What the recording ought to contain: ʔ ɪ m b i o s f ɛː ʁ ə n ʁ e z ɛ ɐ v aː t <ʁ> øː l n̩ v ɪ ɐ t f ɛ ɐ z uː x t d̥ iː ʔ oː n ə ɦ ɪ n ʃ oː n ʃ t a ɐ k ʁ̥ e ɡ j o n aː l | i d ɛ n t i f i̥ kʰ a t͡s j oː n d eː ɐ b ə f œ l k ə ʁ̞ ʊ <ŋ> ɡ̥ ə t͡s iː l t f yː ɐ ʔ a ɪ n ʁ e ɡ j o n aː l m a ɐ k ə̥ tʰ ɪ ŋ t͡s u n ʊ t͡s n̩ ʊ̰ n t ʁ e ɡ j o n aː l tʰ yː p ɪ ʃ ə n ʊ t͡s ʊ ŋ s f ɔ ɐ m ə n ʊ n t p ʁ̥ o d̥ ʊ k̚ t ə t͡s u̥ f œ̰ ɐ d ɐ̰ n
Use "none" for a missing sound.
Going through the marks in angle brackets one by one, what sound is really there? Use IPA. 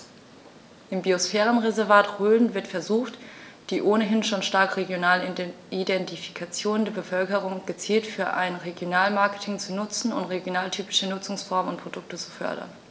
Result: ʁ, ŋ

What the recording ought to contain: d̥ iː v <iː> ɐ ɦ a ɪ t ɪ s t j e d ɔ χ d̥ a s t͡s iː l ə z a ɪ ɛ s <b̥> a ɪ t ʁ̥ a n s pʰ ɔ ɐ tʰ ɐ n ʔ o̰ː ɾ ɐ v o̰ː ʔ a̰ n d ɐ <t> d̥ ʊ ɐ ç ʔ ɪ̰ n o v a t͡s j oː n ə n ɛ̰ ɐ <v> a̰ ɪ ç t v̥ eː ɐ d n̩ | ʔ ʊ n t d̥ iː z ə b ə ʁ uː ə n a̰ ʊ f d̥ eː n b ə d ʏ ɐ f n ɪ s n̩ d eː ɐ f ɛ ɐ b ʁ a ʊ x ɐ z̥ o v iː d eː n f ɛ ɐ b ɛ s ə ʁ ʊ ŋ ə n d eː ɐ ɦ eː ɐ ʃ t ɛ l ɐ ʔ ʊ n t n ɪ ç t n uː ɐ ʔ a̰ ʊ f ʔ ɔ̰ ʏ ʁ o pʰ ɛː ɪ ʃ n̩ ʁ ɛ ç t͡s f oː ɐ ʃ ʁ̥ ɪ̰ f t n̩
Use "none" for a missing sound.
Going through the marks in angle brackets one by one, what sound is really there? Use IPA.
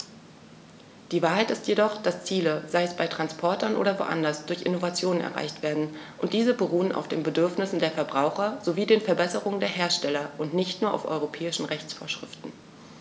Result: aː, b̥, s, ʁ

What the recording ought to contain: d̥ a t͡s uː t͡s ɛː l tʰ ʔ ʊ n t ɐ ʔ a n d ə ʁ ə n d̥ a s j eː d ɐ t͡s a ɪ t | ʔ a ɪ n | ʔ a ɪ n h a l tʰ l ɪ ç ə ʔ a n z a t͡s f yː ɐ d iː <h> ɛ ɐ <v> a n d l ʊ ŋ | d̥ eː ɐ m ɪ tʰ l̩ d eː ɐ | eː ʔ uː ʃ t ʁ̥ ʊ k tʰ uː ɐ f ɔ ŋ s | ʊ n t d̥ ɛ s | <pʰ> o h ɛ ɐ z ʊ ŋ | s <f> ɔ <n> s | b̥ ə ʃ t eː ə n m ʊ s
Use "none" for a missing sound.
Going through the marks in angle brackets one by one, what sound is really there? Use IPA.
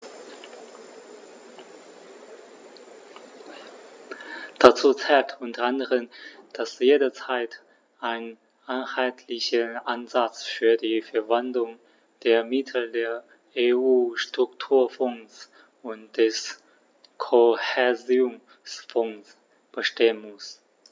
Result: f, v, kʰ, f, ŋ

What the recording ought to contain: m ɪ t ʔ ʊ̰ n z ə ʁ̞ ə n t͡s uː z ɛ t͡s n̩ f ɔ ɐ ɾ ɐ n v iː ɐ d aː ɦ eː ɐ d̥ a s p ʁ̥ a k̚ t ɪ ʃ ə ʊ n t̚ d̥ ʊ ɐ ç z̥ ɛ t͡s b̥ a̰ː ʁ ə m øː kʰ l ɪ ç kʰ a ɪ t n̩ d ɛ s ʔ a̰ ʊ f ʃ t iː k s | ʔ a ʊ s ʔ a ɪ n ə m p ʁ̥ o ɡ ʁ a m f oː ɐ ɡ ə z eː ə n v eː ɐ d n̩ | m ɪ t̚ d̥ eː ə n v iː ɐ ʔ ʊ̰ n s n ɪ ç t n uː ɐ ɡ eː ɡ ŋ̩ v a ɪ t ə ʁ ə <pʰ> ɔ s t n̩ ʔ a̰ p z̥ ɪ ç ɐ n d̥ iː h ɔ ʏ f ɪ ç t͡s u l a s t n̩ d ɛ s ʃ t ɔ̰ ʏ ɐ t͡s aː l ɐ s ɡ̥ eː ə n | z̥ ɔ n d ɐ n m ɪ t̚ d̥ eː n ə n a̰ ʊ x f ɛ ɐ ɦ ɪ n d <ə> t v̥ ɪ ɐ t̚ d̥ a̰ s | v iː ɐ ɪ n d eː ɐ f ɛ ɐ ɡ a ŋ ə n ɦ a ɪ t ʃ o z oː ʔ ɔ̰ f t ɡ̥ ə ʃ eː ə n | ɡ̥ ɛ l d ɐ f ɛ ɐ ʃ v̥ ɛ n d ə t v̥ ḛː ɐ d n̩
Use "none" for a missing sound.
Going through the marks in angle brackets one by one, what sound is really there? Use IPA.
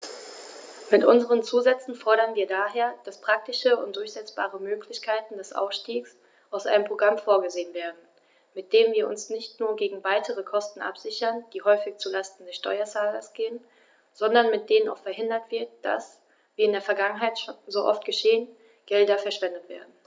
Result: kʰ, ɐ

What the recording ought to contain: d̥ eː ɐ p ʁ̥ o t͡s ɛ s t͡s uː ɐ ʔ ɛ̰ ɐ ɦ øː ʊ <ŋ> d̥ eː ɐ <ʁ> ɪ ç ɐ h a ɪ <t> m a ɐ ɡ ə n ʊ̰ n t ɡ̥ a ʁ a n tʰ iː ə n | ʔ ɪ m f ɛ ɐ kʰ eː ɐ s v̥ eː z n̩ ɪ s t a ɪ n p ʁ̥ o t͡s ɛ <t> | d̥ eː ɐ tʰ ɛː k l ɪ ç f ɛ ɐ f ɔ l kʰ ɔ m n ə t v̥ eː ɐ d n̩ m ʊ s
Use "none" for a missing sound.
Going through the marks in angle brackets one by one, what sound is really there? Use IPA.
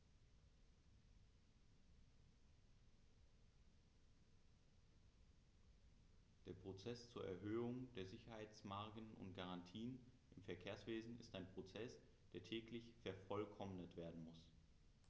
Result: ŋ, z, t͡s, s

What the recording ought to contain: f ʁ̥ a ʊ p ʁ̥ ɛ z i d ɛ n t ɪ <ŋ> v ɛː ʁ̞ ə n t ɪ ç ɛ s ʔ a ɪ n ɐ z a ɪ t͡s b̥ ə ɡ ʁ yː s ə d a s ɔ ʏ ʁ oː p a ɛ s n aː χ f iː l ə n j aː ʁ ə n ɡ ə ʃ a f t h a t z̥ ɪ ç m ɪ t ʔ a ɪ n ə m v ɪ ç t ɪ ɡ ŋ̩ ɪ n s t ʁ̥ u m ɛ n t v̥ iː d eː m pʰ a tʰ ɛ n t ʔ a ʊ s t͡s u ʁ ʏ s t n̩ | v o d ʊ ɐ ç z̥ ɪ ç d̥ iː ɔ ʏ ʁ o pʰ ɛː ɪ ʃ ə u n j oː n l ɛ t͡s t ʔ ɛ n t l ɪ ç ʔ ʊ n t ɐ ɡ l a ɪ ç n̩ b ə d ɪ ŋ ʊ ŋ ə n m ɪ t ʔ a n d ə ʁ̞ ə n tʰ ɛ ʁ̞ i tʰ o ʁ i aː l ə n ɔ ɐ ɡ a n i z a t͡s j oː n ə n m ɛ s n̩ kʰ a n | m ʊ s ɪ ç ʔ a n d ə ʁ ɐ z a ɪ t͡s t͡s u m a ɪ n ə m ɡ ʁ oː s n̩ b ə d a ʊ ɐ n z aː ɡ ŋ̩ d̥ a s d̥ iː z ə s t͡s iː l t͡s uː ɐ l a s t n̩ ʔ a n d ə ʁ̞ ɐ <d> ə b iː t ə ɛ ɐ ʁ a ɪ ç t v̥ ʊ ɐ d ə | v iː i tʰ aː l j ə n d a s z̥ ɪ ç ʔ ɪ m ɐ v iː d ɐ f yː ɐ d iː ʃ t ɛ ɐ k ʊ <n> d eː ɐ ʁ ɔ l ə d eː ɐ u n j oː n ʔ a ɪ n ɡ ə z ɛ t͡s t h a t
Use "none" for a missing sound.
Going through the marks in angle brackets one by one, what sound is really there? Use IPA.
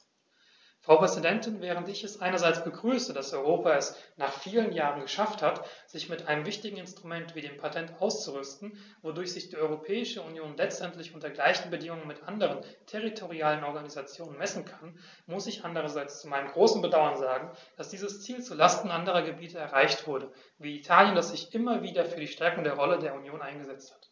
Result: n, ɡ, ŋ

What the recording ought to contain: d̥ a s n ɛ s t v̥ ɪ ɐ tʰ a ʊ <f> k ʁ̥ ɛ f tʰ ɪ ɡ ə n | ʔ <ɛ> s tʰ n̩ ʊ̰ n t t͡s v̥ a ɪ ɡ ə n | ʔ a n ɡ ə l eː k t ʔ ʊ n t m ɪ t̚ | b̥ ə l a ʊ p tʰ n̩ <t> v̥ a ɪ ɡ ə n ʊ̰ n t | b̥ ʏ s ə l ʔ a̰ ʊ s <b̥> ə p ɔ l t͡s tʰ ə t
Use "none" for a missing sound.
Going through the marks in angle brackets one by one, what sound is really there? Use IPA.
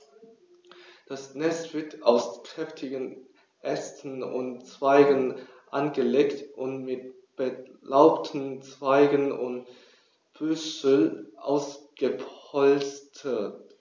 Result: s, ɛ, t͡s, ɡ̥

